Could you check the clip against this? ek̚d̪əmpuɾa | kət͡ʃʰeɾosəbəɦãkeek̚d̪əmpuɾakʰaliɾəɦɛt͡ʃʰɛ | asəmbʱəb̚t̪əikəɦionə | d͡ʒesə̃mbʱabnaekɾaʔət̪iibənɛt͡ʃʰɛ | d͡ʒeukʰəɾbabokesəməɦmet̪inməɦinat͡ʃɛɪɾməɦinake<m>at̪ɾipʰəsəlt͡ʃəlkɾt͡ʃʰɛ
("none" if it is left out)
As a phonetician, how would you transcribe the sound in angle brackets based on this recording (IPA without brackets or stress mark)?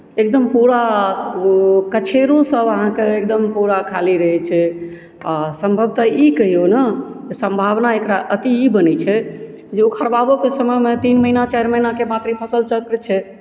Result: m